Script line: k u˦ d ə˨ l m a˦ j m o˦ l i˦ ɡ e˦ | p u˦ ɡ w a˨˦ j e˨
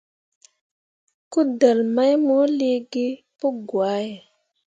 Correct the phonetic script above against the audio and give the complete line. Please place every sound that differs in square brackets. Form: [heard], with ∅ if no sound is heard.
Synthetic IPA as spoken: k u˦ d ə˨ l m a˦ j m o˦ l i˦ ɡ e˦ | p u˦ ɡ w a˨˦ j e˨